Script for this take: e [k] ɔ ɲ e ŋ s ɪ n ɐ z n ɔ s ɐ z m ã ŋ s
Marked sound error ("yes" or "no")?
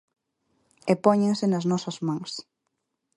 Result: yes